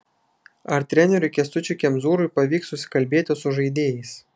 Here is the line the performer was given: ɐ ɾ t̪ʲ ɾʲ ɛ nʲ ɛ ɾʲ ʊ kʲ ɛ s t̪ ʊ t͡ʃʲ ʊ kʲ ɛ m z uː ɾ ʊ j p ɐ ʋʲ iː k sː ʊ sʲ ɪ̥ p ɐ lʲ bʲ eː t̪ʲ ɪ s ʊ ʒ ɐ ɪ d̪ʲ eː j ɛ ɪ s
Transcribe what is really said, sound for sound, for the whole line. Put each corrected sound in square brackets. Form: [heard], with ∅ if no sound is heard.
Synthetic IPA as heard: ɐ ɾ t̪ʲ ɾʲ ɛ nʲ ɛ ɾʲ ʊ kʲ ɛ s t̪ ʊ t͡ʃʲ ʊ kʲ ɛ m z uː ɾ ʊ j p ɐ ʋʲ iː k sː ʊ sʲ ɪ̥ [k] ɐ lʲ bʲ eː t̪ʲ ɪ s ʊ ʒ ɐ ɪ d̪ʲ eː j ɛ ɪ s